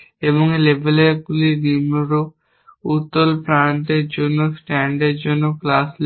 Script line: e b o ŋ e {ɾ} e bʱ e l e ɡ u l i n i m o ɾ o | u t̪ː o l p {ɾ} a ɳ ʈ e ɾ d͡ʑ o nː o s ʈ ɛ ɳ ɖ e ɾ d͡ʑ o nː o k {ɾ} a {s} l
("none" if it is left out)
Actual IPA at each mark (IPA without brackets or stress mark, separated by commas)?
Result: l, ɾ, l, s